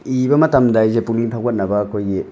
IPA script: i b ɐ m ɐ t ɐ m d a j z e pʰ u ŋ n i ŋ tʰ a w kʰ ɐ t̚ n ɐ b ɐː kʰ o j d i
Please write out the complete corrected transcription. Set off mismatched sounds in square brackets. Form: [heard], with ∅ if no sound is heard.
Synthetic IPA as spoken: i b ɐ m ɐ t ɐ m d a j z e [p] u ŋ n i ŋ tʰ a w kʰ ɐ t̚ n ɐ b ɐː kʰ o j [ɡ] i

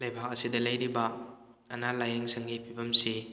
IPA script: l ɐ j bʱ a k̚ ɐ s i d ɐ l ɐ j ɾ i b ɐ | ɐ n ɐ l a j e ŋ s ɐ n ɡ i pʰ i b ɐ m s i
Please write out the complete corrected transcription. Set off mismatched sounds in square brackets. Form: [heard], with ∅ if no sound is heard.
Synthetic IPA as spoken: l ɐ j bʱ a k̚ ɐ s i d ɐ l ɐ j ɾ i b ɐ | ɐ n [a] l a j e ŋ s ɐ [ŋ] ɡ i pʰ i b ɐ m s i

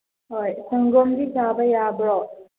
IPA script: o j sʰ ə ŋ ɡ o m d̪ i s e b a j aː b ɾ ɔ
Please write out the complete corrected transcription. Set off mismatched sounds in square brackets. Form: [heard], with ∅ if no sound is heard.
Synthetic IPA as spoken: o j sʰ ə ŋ ɡ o m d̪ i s [a] b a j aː b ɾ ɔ

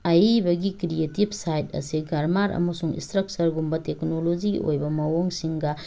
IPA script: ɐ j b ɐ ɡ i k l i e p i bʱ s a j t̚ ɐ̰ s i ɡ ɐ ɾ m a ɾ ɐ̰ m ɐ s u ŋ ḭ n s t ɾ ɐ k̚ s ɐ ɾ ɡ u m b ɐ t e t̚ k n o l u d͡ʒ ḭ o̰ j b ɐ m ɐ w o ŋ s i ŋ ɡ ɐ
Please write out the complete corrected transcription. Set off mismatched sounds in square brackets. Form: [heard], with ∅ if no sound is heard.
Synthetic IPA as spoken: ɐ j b ɐ ɡ i k [ɾ] i e [t] i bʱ s a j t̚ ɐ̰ s i ɡ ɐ ɾ m a ɾ ɐ̰ m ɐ s u ŋ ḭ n s t ɾ ɐ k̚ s ɐ ɾ ɡ u m b ɐ t e [∅] k n o l [o] d͡ʒ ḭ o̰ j b ɐ m ɐ w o ŋ s i ŋ ɡ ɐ

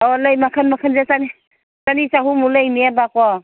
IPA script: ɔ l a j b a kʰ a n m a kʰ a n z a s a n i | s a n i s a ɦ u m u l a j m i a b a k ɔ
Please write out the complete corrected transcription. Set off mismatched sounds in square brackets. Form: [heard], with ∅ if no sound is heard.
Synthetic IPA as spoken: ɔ l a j [m] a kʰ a n m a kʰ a n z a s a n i | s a n i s a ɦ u m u l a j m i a b a k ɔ

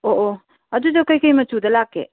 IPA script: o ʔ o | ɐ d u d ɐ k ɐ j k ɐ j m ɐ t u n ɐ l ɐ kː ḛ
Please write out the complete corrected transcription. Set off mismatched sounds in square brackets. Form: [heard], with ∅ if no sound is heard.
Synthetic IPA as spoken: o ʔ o | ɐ d u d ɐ k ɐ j k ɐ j m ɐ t u [d] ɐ l [a] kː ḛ

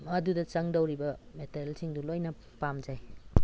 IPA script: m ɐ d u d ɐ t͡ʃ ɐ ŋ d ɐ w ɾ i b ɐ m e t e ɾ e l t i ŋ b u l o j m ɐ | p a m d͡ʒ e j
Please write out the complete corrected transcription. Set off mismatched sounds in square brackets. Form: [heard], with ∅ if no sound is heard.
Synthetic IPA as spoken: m ɐ d u d ɐ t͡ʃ ɐ ŋ d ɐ w ɾ i b ɐ m e t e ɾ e l [s] i ŋ [d] u l o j [n] ɐ | p a m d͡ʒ [a] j

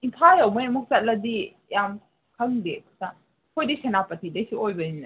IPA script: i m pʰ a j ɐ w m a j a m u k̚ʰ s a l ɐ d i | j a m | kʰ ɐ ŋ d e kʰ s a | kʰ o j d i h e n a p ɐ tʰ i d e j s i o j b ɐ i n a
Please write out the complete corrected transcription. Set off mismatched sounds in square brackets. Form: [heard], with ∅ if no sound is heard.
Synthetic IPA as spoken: i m pʰ a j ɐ w m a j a m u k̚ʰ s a l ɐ d i | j a m | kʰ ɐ ŋ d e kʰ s a | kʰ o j d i [s] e n a p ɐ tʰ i d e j s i o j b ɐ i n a

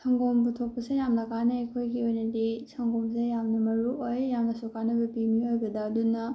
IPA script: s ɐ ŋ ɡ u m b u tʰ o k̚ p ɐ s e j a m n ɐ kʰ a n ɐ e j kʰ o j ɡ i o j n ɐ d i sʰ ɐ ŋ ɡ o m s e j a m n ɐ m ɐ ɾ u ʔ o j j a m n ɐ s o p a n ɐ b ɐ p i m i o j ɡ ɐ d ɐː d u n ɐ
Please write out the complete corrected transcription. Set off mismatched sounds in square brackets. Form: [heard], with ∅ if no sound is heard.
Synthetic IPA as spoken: s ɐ ŋ ɡ [o] m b u tʰ o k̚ p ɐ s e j a m n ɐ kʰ a n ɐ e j kʰ o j ɡ i o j n ɐ d i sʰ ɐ ŋ ɡ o m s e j a m n ɐ m ɐ ɾ u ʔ o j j a m n ɐ s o [k] a n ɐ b ɐ p i m i o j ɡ ɐ d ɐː d u n ɐ

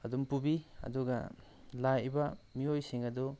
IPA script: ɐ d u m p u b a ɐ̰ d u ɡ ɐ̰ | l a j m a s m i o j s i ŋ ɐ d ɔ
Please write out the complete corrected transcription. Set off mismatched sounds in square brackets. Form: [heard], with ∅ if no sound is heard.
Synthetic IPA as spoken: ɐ d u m p u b [i] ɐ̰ d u ɡ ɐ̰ | l a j [b] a [∅] m i o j s i ŋ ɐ d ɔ

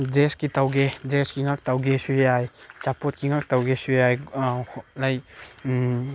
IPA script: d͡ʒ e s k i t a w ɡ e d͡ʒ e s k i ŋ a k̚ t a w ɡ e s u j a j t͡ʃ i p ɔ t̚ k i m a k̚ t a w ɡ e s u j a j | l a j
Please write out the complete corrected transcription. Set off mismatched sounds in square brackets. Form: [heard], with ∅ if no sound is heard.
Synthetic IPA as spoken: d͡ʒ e s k i t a w ɡ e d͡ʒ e s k i ŋ a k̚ t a w ɡ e s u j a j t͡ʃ [a] p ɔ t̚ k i [ŋ] a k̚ t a w ɡ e s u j a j | l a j

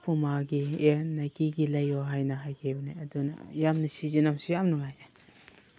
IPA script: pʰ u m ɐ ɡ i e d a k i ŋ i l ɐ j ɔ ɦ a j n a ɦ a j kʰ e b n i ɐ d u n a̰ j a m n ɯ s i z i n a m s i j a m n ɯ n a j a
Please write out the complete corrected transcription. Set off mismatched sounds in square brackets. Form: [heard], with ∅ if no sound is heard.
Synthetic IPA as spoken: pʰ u m [a] ɡ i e [n] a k i [ɡ] i l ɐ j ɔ ɦ a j n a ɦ a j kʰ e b n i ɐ d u n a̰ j a m n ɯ s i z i n a m s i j a m n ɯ [ŋ] a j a

